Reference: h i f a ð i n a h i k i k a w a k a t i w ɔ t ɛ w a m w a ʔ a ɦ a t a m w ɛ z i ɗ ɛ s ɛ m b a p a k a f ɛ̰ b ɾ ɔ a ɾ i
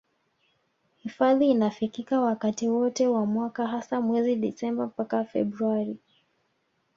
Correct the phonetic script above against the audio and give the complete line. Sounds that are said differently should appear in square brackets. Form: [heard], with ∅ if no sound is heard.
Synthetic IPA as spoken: h i f a ð [iː] n a [f] i k i k a w a k a t i w ɔ t ɛ w a m w a [k] a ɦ a [s] a m w ɛ z i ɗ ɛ s ɛ m b a p a k a f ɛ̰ b ɾ [u] a ɾ i